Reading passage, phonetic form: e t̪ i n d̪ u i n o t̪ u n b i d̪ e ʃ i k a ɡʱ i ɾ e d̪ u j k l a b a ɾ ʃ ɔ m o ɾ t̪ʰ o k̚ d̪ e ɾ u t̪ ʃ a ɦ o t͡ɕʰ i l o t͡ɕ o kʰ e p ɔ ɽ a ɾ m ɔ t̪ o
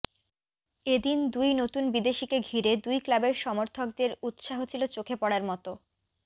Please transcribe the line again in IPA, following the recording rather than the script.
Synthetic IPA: e d̪ i n d̪ u j n o t̪ u n b i d̪ e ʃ i k e ɡʱ i ɾ e d̪ u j k l a b e ɾ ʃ ɔ m o ɾ t̪ʰ o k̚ d̪ e ɾ u t̪ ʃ a ɦ o t͡ɕʰ i l o t͡ɕ o kʰ e p ɔ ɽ a ɾ m ɔ t̪ o